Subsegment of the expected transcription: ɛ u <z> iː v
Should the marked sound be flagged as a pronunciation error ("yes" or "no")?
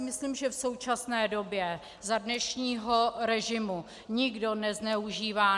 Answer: yes